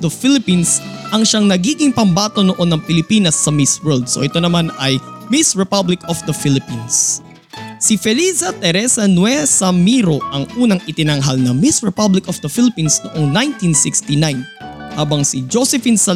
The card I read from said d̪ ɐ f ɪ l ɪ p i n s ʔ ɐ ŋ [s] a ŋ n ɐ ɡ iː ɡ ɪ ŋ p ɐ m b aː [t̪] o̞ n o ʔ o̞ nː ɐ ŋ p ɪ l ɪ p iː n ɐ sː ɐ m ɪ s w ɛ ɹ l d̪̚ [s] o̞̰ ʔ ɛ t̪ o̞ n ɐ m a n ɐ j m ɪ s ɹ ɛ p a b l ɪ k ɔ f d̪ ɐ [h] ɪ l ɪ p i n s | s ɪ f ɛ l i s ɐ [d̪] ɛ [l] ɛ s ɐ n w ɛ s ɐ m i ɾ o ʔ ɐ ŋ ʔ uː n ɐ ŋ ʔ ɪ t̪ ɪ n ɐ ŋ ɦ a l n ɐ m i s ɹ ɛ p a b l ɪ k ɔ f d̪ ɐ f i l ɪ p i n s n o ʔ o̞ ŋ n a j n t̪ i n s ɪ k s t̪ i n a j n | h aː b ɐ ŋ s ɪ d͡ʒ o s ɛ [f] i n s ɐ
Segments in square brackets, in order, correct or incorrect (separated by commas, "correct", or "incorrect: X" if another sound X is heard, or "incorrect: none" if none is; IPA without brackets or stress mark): incorrect: ʃ, correct, correct, incorrect: f, incorrect: t̪, incorrect: ɾ, correct